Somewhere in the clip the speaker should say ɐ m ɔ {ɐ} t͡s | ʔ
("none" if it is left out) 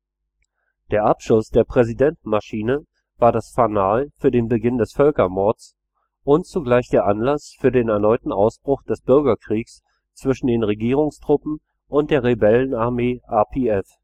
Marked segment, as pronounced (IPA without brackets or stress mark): ɐ